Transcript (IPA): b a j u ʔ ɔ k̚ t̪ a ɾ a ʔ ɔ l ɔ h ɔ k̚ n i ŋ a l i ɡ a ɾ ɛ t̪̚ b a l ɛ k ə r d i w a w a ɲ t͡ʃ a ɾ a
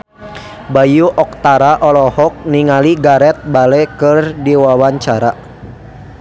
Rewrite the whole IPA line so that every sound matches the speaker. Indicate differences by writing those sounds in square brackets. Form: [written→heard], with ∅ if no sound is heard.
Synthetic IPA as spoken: b a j u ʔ ɔ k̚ t̪ a ɾ a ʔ ɔ l ɔ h ɔ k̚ n i ŋ a l i ɡ a ɾ ɛ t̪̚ b a l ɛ k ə r d i w a w a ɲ t͡ʃ a ɾ a

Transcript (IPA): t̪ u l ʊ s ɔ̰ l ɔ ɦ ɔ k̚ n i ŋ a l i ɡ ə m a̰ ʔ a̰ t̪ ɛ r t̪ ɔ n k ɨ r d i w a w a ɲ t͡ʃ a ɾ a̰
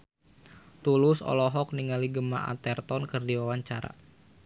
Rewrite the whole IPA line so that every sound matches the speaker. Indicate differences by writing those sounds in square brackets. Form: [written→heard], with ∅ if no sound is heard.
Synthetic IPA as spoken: t̪ u l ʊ s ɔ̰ l ɔ ɦ ɔ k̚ n i ŋ a l i ɡ ə m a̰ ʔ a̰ t̪ ɛ r t̪ ɔ n k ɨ r d i w a w a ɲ t͡ʃ a ɾ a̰

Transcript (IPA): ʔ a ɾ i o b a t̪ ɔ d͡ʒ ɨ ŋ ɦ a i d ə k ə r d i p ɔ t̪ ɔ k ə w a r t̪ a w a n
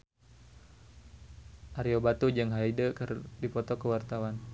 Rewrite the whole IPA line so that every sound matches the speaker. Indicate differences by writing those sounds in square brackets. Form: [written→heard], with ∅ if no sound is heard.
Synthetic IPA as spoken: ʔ a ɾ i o b a t̪ [ɔ→u] d͡ʒ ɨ ŋ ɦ a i d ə k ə r d i p ɔ t̪ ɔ k ə w a r t̪ a w a n

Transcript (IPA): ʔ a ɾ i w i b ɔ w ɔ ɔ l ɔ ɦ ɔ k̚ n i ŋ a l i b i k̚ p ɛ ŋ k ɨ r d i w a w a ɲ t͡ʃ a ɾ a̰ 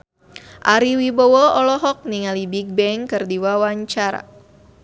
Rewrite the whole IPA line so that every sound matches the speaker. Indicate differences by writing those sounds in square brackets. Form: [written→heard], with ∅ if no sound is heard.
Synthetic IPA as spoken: ʔ a ɾ i w i b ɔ w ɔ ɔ l ɔ ɦ ɔ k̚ n i ŋ a l i b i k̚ [p→b] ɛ ŋ k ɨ r d i w a w a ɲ t͡ʃ a ɾ a̰

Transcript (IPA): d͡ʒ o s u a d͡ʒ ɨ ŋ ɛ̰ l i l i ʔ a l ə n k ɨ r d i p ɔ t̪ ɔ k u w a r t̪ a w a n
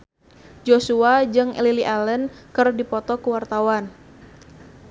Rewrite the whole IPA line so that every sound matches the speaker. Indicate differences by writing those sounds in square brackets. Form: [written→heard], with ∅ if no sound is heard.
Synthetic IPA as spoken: d͡ʒ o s u a d͡ʒ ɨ ŋ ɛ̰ l i l i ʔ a l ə n k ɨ r d i p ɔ t̪ ɔ k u w a r t̪ a w a n

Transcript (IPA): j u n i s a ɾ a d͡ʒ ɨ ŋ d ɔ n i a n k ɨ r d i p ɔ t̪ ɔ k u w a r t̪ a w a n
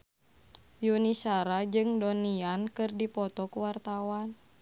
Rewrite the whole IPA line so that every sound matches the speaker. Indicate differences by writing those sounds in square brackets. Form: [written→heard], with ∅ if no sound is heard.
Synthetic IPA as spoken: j u n i s a ɾ a d͡ʒ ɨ ŋ d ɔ n i a n k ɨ r d i p ɔ t̪ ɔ k u w a r t̪ a w a n

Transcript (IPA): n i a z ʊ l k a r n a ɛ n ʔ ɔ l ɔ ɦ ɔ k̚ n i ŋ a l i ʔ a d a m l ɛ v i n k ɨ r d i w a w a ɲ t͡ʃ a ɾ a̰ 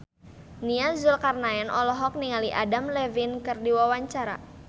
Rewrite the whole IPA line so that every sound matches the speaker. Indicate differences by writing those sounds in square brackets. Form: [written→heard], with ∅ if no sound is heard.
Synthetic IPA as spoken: n i a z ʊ l k a r n a ɛ n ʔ ɔ l ɔ ɦ ɔ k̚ n i ŋ a l i ʔ a d a m l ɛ v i n k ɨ r d i w a w a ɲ t͡ʃ a ɾ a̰

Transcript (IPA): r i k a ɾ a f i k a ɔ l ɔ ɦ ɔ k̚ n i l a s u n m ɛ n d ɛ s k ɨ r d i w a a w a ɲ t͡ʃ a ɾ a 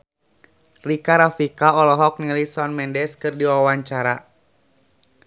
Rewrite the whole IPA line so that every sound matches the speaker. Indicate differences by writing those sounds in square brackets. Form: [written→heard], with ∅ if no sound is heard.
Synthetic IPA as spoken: r i k a ɾ a f i k a ɔ l ɔ ɦ ɔ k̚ n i l [a→i] s [u→ɔ] n m ɛ n d ɛ s k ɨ r d i w a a w a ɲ t͡ʃ a ɾ a

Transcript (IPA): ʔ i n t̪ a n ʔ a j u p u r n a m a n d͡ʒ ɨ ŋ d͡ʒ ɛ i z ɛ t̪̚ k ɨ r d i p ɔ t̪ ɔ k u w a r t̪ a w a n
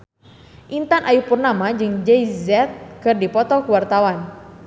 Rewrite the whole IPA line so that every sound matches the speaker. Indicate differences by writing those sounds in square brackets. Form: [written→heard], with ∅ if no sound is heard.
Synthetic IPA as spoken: ʔ i n t̪ a n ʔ a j u p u r n a m a [n→∅] d͡ʒ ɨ ŋ d͡ʒ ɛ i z ɛ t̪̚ k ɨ r d i p ɔ t̪ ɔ k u w a r t̪ a w a n

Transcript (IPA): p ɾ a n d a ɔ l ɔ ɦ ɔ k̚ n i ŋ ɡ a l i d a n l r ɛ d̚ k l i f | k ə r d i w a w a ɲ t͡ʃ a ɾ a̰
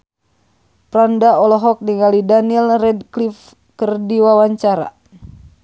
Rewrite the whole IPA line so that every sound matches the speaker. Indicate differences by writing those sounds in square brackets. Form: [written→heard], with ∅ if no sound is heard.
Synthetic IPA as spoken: p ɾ a n d a ɔ l ɔ ɦ ɔ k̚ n i ŋ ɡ a l i d a n l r ɛ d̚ k l i f | k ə r d i w a w a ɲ t͡ʃ a ɾ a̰

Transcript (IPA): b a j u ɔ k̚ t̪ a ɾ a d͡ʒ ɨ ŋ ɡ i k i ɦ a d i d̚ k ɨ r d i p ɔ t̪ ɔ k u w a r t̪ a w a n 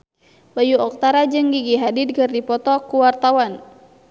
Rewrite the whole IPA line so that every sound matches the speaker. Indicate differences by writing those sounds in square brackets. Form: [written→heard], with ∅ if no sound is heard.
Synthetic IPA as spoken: b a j u ɔ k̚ t̪ a ɾ a d͡ʒ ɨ ŋ ɡ i [k→ɡ] i ɦ a d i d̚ k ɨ r d i p ɔ t̪ ɔ k u w a r t̪ a w a n

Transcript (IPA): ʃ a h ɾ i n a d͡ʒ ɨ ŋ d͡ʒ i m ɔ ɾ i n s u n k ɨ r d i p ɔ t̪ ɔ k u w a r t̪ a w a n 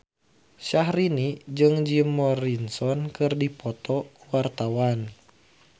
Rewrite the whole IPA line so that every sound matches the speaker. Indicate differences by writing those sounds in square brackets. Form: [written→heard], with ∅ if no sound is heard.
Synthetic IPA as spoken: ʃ a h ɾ i n [a→i] d͡ʒ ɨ ŋ d͡ʒ i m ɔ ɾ i n s [u→ɔ] n k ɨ r d i p ɔ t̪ ɔ k u w a r t̪ a w a n

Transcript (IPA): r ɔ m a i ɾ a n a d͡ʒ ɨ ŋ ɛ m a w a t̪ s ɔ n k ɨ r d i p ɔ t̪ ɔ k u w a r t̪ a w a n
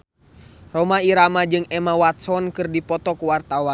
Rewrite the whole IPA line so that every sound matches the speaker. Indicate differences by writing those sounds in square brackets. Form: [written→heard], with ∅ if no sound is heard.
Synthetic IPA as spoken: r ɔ m a i ɾ a [n→m] a d͡ʒ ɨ ŋ ɛ m a w a t̪ s ɔ n k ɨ r d i p ɔ t̪ ɔ k u w a r t̪ a w a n

